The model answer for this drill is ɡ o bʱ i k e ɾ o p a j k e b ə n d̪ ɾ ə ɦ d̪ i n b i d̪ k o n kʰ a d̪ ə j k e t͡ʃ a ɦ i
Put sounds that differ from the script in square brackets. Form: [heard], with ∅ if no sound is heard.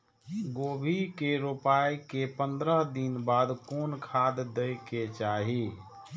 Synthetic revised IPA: ɡ o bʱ i k e ɾ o p a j k e [p] ə n d̪ ɾ ə ɦ d̪ i n b [a] d̪ k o n kʰ a d̪ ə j k e t͡ʃ a ɦ i

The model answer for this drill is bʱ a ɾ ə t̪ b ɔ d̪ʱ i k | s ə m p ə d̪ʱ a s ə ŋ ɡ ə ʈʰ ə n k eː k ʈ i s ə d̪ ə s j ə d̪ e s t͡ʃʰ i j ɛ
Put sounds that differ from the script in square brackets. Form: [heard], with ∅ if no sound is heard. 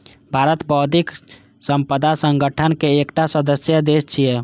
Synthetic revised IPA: bʱ a ɾ ə t̪ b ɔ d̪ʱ i k | s ə m p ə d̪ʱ a s ə ŋ ɡ ə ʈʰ ə n k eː k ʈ [a] s ə d̪ ə s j ə d̪ e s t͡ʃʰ i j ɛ

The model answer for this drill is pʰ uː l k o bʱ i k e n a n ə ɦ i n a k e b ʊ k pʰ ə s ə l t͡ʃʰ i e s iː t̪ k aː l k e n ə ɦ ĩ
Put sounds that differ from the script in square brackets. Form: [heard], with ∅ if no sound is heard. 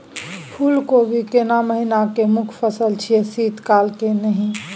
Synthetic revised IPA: pʰ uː l k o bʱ i k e n a [m] ə ɦ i n a k e [m] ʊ [kʰ] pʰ ə s ə l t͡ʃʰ i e s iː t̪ k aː l k e n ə ɦ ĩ

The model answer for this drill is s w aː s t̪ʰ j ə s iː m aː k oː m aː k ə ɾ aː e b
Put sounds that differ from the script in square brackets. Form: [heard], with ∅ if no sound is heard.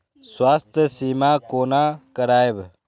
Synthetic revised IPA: s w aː s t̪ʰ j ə s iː m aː k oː [n] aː k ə ɾ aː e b

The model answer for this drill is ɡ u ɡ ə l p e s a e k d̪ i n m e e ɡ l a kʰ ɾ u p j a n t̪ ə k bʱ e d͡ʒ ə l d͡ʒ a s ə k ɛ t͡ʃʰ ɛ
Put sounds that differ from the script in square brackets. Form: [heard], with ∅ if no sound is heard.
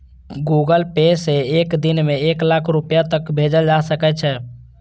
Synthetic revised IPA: ɡ u ɡ ə l p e s [e] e k d̪ i n m e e [k] l a kʰ ɾ u p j a [∅] t̪ ə k bʱ e d͡ʒ ə l d͡ʒ a s ə k ɛ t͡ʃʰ ɛ

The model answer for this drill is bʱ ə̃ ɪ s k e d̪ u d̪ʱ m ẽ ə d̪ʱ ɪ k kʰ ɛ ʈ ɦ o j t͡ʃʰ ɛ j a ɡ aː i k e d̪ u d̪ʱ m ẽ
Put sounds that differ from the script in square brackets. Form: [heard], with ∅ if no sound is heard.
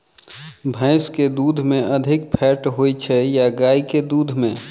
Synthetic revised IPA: bʱ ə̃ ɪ s k e d̪ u d̪ʱ m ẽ ə d̪ʱ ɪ k [pʰ] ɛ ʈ ɦ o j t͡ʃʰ ɛ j a ɡ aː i k e d̪ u d̪ʱ m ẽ

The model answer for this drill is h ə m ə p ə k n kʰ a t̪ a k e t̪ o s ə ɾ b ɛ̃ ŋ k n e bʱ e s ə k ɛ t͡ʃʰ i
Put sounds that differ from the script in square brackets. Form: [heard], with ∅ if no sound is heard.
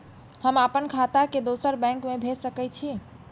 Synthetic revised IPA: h ə m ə p ə [∅] n kʰ a t̪ a k e [d̪] o s ə ɾ b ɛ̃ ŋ k [m] e bʱ e s ə k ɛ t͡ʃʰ i

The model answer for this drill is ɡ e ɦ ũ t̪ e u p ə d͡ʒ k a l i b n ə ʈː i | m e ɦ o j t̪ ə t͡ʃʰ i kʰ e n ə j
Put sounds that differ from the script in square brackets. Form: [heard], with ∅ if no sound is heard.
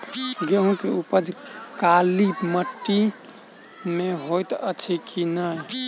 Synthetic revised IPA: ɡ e ɦ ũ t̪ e u p ə d͡ʒ k a l i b [m] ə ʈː i | m e ɦ o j t̪ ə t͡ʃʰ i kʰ [i] n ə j

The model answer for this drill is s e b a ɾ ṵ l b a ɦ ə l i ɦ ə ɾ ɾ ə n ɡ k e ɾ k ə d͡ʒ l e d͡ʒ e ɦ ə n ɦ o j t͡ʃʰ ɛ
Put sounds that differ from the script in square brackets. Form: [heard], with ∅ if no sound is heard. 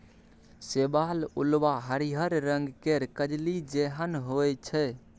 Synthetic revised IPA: s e b a [l] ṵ l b a ɦ ə [ɾ] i ɦ ə ɾ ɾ ə [ŋ] ɡ k e ɾ k ə d͡ʒ l [i] d͡ʒ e ɦ ə n ɦ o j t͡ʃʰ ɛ

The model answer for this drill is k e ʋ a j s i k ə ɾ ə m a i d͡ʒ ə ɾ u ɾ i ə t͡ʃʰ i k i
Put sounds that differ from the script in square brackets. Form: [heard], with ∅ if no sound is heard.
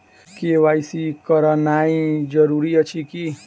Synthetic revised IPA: k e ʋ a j s i k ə ɾ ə [n] a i d͡ʒ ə ɾ u ɾ i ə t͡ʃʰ i k i

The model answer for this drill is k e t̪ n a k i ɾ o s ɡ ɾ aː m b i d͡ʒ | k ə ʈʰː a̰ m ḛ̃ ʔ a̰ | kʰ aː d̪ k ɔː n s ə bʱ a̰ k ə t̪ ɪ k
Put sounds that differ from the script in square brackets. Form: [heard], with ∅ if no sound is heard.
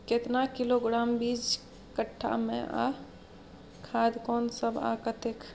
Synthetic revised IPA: k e t̪ n a k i [l] o [∅] ɡ ɾ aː m b i d͡ʒ | k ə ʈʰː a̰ m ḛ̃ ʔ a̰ | kʰ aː d̪ k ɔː n s ə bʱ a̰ k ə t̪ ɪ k

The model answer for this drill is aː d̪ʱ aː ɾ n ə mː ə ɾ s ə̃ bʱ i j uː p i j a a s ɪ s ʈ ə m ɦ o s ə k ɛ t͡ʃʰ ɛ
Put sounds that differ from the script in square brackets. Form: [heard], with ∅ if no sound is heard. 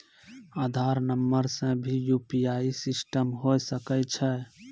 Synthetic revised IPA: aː d̪ʱ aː ɾ n ə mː ə ɾ s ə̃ bʱ i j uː p i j a [i] s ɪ s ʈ ə m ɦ o s ə k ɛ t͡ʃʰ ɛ

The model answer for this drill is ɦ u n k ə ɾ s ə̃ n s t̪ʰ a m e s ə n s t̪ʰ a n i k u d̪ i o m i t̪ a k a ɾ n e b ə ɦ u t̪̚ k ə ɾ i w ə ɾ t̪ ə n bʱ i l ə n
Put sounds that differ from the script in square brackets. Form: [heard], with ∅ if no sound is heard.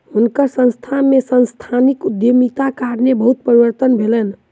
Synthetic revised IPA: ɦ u n k ə ɾ s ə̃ n s t̪ʰ a m e s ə n s t̪ʰ a n i k u d̪ [j] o m i t̪ a k a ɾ n e b ə ɦ u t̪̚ [p] ə ɾ i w ə ɾ t̪ ə n bʱ [e] l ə n

